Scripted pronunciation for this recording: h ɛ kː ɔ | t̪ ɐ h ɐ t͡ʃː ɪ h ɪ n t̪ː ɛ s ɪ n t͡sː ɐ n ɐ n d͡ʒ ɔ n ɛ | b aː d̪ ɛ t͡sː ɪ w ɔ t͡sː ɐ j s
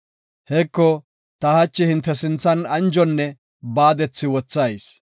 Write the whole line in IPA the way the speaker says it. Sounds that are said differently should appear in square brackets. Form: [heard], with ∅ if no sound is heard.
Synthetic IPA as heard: h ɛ kː ɔ | t̪ ɐ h ɐ t͡ʃː ɪ h ɪ n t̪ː ɛ s ɪ n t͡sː ɐ n ɐ n d͡ʒ ɔ [nː] ɛ | b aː d̪ ɛ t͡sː ɪ w ɔ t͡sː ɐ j s